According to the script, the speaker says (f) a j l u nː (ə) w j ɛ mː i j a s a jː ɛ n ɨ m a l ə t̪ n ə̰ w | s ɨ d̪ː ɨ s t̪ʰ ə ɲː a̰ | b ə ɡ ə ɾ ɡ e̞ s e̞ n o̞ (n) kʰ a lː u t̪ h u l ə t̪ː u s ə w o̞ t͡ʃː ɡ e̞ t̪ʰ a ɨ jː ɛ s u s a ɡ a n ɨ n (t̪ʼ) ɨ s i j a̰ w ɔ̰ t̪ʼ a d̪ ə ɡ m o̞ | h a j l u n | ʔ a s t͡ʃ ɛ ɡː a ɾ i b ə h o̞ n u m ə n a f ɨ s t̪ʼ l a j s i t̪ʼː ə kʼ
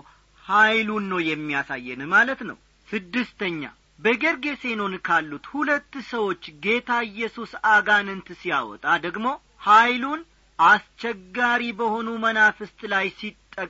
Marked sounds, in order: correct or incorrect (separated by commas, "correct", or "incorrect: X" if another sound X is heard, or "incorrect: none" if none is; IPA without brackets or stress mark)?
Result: incorrect: h, correct, correct, incorrect: t̪